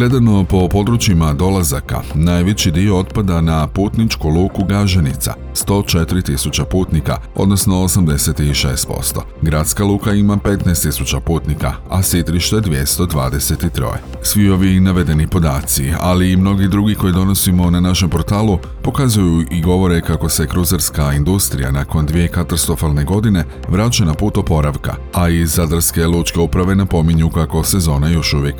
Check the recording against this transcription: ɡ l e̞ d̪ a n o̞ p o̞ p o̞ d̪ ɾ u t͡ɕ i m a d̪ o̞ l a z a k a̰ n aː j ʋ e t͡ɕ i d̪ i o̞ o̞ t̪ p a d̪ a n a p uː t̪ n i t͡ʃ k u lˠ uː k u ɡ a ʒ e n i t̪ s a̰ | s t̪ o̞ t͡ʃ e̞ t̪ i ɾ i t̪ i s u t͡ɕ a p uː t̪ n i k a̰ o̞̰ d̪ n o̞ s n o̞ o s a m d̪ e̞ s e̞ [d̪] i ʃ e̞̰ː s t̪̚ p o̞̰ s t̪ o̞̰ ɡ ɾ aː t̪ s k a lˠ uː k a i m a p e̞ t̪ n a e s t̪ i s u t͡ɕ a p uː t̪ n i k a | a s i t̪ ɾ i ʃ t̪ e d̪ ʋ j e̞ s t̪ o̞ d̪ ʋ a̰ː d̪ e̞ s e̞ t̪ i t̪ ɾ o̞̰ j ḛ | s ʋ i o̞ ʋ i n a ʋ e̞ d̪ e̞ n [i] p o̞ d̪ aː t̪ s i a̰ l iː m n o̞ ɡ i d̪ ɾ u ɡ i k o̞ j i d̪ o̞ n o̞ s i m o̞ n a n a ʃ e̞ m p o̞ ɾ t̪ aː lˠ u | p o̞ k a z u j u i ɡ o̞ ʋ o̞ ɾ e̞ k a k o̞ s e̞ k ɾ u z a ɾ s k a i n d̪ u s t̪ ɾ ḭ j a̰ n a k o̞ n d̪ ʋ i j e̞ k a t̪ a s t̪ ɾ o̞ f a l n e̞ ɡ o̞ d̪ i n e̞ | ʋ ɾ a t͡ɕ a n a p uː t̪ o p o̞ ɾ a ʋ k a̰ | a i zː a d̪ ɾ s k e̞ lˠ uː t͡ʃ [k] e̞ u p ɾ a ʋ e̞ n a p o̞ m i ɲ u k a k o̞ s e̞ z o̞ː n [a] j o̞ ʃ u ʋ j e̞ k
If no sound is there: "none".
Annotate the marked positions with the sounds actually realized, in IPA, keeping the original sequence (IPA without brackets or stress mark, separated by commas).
t̪, i, k, a